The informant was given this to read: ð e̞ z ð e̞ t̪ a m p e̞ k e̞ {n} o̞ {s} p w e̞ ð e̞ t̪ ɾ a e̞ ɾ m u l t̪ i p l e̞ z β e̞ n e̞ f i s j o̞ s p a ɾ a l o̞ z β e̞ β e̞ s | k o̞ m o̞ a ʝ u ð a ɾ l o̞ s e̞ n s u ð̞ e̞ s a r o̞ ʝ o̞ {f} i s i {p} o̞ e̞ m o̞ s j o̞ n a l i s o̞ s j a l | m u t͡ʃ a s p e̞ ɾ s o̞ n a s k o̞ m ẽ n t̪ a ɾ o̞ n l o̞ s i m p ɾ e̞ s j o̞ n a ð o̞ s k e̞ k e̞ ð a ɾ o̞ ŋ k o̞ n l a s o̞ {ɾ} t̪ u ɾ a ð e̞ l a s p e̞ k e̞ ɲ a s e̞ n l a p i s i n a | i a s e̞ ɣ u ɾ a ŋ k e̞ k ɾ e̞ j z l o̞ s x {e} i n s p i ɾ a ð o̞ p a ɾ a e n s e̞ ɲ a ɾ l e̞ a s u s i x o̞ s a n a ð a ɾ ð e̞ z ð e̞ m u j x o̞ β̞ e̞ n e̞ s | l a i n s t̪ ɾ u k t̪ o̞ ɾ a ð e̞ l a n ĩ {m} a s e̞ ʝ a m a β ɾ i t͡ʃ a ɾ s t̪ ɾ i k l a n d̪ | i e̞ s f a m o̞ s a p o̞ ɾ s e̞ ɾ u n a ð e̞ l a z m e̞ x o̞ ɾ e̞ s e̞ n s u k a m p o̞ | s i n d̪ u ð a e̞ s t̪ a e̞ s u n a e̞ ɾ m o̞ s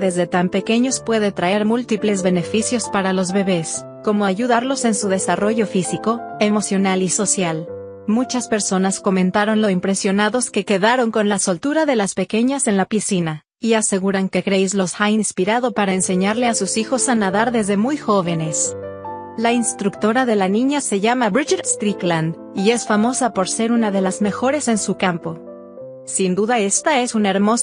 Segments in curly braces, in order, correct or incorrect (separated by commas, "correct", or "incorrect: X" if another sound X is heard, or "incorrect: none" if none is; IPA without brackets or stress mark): incorrect: ɲ, correct, correct, incorrect: k, incorrect: l, incorrect: a, incorrect: ɲ